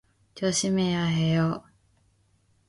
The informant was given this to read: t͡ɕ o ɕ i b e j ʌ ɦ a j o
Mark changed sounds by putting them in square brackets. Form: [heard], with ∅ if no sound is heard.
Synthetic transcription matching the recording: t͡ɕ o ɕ i [m] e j [a] ɦ [e] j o